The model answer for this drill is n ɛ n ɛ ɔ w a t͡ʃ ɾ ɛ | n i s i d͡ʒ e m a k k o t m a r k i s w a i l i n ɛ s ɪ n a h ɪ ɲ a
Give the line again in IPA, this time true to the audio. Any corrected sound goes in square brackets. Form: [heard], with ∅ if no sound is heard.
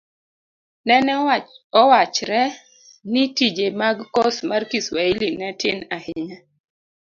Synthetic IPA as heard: n ɛ n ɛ ɔ w a t͡ʃ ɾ ɛ | n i [t] i d͡ʒ e m a [ɡ] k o [s] m a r k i s w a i l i n ɛ [t] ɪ n a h ɪ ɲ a

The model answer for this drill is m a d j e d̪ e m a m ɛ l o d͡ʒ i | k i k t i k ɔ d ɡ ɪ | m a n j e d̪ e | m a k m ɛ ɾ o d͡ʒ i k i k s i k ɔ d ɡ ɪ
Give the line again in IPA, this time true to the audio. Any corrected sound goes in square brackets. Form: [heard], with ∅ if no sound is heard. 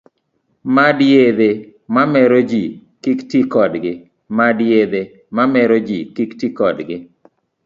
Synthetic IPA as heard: m a d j e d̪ e m a m ɛ [ɾ] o d͡ʒ i | k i k t i k ɔ d ɡ ɪ | m a [d] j e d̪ e | m a [∅] m ɛ ɾ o d͡ʒ i k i k [t] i k ɔ d ɡ ɪ

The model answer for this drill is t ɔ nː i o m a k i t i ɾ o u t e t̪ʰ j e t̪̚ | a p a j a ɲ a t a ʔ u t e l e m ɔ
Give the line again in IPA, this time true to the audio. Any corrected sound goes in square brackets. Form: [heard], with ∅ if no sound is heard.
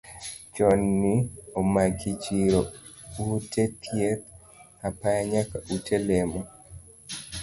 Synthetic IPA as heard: [t͡ʃ] ɔ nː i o m a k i [t͡ʃ] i ɾ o u t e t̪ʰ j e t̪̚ | a p a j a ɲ a [k] a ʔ u t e l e m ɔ

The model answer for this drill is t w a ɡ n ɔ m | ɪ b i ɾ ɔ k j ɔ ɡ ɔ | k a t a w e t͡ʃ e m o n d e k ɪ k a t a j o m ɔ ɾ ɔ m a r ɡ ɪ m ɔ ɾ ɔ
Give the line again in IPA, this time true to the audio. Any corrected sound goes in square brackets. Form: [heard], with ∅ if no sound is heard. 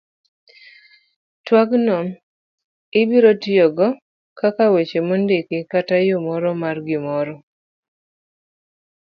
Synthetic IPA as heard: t w a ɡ n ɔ m | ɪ b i ɾ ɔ [t] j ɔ ɡ ɔ | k a [k] a w e t͡ʃ e m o n d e k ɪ k a t a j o m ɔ ɾ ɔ m a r ɡ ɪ m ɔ ɾ ɔ

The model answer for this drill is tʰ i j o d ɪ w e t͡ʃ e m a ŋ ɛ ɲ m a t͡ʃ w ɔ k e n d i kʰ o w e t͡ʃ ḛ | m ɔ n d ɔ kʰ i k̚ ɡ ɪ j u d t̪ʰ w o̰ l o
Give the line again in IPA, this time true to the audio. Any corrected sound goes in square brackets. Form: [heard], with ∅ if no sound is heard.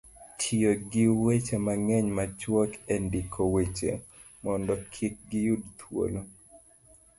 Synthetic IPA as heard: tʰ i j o [ɡ] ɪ w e t͡ʃ e m a ŋ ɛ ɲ m a t͡ʃ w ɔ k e n d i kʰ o w e t͡ʃ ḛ | m ɔ n d ɔ kʰ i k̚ ɡ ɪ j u d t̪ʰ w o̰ l o

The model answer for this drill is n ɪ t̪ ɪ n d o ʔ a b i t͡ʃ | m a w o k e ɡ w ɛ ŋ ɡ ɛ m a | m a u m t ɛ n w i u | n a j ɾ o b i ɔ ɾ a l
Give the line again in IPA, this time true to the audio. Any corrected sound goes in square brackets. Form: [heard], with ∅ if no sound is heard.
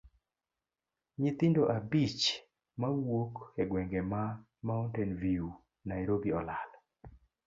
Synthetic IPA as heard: [ɲ] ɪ t̪ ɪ n d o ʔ a b i t͡ʃ | m a w o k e ɡ w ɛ ŋ ɡ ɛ m a | m a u [n] t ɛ n [v] i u | n a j ɾ o b i ɔ [l] a l

